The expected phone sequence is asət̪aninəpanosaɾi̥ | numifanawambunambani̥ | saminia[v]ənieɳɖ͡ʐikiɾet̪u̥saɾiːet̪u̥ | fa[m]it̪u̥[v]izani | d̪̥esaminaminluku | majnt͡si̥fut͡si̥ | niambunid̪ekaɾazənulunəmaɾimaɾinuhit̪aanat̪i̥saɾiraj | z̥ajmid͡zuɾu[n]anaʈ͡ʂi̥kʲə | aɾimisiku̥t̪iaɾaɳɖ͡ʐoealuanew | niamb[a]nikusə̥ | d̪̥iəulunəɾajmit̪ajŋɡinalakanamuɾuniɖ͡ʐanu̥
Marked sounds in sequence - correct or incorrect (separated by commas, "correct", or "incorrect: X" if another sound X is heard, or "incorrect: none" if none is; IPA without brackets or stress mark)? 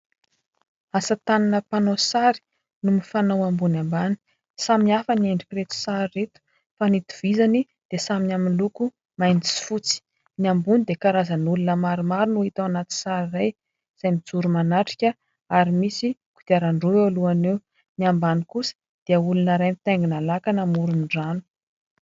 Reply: incorrect: f, incorrect: n, correct, incorrect: m, correct